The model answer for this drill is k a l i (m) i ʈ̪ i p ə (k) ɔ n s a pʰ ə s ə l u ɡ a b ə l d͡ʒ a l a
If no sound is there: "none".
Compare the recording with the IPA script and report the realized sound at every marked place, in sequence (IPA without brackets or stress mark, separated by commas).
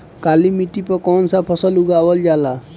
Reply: m, k